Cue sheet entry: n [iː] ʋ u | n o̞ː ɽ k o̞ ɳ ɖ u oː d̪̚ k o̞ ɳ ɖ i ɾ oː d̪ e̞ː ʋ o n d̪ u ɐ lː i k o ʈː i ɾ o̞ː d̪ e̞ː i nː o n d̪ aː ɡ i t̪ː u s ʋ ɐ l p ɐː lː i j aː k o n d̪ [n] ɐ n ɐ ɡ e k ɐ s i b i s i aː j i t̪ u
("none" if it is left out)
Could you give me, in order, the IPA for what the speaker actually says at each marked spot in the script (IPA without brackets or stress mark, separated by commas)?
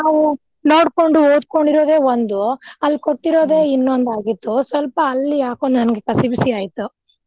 aː, n